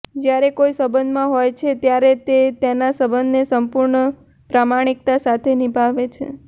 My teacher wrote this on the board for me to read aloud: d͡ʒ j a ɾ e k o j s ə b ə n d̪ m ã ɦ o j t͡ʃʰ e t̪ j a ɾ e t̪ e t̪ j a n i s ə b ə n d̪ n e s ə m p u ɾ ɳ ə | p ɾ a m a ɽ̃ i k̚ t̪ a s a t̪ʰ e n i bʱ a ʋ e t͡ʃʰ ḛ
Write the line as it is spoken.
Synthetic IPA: d͡ʒ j a ɾ e k o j s ə b ə n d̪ m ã ɦ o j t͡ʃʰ e t̪ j a ɾ e t̪ e t̪ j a n a s ə b ə n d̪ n e s ə m p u ɾ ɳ ə | p ɾ a m a ɽ̃ i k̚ t̪ a s a t̪ʰ e n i bʱ a ʋ e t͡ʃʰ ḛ